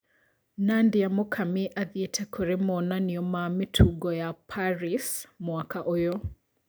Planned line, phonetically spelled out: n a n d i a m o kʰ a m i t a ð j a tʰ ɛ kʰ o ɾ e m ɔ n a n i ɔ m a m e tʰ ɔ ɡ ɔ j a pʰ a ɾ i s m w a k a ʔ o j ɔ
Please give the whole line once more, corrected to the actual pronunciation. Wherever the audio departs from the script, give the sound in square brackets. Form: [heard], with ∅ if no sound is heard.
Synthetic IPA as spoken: n a n d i a m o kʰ a m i [ʔ] a ð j [e] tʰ ɛ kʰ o ɾ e m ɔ n a n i ɔ m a m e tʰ [u] ɡ ɔ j a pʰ a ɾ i s m w a k a ʔ o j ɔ

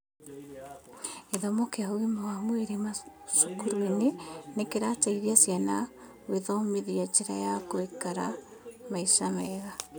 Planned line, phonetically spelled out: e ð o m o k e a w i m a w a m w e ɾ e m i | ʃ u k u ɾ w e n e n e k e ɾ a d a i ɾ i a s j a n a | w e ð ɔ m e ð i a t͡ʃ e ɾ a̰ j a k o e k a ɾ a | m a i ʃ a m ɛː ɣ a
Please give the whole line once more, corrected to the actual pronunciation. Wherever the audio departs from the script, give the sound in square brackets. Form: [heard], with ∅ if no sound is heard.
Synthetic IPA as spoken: e ð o m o k e a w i m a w a m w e ɾ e m [a] | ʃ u k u ɾ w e n e n e k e ɾ a [t] a i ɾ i a s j a n a | w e ð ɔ m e ð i a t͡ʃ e ɾ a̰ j a k o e k a ɾ a | m a i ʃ a m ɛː ɣ a

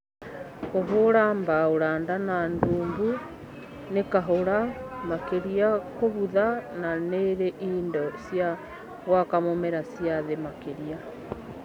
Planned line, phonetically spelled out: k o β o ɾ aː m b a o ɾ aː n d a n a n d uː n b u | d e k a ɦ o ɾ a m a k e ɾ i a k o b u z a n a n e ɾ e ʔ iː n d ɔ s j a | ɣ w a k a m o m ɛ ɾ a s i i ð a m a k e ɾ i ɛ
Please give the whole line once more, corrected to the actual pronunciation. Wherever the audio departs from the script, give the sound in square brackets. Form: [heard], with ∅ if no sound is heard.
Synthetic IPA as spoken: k o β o ɾ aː m b a o ɾ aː n d a n a n d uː [m] b u | [n] e k a ɦ o ɾ a m a k e ɾ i a k o [β] u [ð] a n a n e ɾ e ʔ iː n d ɔ s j a | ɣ w a k a m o m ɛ ɾ a s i [a] ð [e] m a k e ɾ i [a]

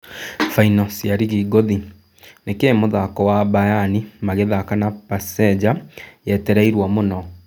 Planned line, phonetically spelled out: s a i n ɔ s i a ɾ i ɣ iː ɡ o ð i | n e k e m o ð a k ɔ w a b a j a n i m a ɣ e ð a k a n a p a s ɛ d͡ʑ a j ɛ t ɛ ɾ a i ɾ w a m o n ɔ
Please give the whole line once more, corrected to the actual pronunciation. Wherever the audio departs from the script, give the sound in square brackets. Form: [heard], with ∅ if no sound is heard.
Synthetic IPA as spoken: [f] a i n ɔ s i a ɾ i ɣ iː ɡ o ð i | n e k e m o ð a k ɔ w a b a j a n i m a ɣ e ð a k a n a p a s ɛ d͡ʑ a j ɛ t ɛ ɾ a i ɾ w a m o n ɔ

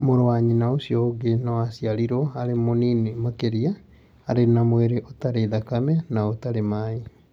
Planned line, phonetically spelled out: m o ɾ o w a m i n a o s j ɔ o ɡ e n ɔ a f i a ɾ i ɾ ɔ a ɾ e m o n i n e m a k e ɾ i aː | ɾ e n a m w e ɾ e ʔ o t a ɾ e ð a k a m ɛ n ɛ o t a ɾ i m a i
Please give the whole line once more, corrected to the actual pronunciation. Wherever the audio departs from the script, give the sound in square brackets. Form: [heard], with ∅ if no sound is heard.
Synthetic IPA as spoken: m o ɾ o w a [ɲ] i n a o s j ɔ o ɡ e n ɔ a [s] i a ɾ i ɾ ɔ a ɾ e m o n i n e m a k e ɾ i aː | ɾ e n a m w e ɾ e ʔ o t a ɾ e ð a k a m ɛ n [a] o t a ɾ [e] m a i

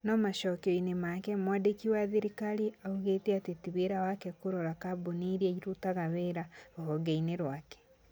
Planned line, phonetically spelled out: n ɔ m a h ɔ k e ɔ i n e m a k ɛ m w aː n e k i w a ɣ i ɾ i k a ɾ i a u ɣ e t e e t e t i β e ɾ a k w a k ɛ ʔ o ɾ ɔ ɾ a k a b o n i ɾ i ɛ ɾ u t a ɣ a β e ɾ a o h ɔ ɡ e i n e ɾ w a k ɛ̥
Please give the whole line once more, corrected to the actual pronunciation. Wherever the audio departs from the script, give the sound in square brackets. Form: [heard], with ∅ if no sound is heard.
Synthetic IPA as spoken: n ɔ m a [ʃ] ɔ k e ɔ i n e m a k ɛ m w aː [d] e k i w a [ð] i ɾ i k a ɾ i a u ɣ e t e [a] t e t i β e ɾ a [∅] w a k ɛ [k] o ɾ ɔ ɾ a k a b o n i ɾ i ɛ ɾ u t a ɣ a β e ɾ a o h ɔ ɡ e i n e ɾ w a k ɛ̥

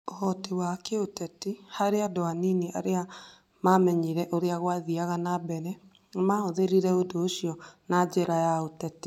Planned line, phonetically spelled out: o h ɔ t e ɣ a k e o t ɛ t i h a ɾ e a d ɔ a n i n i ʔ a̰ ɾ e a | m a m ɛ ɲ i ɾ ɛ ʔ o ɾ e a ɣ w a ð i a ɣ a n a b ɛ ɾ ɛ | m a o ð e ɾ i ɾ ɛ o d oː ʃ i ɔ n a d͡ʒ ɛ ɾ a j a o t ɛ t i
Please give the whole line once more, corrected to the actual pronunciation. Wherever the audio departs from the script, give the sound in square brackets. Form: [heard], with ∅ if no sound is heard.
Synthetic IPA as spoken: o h ɔ t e [w] a k e o t ɛ t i h a ɾ e a d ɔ a n i n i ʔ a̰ ɾ e a | m a m ɛ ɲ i ɾ ɛ ʔ o ɾ e a ɣ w a ð i a ɣ a n a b ɛ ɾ ɛ | m a o ð e ɾ i ɾ ɛ o d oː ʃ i ɔ n a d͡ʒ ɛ ɾ a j a o t ɛ t i

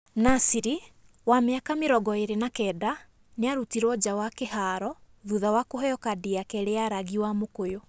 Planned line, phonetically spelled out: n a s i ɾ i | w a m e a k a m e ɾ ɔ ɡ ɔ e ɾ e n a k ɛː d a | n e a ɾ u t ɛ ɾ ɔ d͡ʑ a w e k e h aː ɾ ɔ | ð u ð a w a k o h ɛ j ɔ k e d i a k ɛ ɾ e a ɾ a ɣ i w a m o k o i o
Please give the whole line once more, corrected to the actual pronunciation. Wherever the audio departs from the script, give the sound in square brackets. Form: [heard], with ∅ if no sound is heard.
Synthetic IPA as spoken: n a s i ɾ i | w a m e a k a m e ɾ ɔ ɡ ɔ e ɾ e n a k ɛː d a | n e a ɾ u t [i] ɾ ɔ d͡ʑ a w [a] k e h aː ɾ ɔ | ð u ð a w a k o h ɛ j ɔ k [a] d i a k ɛ ɾ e a ɾ a ɣ i w a m o k o [j] o

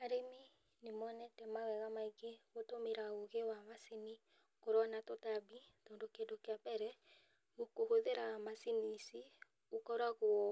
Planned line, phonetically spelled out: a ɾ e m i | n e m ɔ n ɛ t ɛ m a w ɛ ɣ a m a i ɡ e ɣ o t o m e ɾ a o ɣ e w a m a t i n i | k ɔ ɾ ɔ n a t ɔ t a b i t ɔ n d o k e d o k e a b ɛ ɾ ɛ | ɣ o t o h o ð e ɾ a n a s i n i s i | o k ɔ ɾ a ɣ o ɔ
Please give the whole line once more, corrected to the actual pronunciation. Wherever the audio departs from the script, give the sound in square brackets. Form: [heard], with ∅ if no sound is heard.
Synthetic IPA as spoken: a ɾ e m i | n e m ɔ n ɛ t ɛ m a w ɛ ɣ a m a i ɡ e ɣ o t o m e ɾ a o ɣ e w a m a [s] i n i | k [o] ɾ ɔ n a t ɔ t a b i t ɔ n d o k e d o k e a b ɛ ɾ ɛ | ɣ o [k] o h o ð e ɾ a [m] a s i n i s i | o k ɔ ɾ a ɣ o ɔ

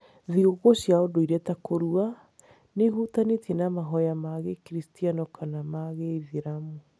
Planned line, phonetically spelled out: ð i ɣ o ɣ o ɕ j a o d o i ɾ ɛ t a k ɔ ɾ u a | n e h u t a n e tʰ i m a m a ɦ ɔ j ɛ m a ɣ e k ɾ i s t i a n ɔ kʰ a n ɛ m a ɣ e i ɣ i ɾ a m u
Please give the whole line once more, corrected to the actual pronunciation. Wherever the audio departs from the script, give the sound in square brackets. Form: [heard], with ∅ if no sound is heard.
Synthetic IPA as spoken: ð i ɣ o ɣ o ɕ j a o d o i ɾ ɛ t a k [o] ɾ u a | n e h u t a n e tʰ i [n] a m a ɦ ɔ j [a] m a ɣ e k ɾ i s t i a n ɔ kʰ a n [a] m a ɣ e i [ð] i ɾ a m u

